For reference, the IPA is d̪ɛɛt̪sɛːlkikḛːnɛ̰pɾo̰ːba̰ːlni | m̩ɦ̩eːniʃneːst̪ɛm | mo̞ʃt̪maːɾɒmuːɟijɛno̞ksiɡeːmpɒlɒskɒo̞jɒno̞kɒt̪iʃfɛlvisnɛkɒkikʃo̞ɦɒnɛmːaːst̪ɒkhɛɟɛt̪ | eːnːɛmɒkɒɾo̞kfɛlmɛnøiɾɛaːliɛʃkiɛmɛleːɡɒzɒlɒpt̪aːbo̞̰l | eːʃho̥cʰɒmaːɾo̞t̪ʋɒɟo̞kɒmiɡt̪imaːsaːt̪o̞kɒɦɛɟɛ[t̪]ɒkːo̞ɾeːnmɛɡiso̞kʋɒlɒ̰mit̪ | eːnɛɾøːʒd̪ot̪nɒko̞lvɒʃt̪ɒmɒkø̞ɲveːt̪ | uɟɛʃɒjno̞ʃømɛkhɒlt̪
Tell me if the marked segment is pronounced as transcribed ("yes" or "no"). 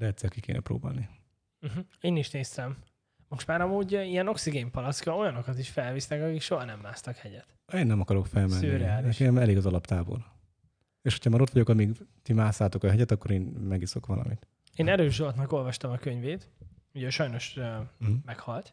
yes